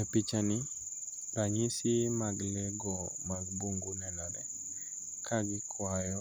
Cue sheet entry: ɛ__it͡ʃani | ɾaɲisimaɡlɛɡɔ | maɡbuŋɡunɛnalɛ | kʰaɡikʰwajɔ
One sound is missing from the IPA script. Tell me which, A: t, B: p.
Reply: B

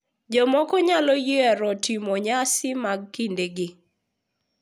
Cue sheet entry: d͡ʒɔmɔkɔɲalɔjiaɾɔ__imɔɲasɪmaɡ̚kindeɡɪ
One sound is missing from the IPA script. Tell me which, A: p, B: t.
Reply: B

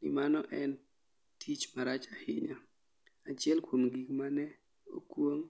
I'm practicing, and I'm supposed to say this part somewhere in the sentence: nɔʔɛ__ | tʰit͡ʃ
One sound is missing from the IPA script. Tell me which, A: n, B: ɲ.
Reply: A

